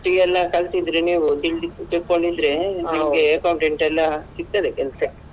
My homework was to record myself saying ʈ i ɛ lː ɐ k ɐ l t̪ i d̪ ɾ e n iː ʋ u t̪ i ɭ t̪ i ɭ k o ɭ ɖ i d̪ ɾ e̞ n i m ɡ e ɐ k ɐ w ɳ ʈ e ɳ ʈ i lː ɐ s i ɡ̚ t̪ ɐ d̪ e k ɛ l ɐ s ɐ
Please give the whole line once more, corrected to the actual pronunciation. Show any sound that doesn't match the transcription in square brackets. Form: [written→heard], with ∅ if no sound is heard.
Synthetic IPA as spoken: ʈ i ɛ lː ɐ k ɐ l t̪ i d̪ ɾ e n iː ʋ u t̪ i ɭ t̪ i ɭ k o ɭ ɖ i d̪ ɾ e̞ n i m ɡ e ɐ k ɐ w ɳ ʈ e ɳ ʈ [i→ɛ] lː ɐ s i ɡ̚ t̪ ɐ d̪ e k ɛ l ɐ s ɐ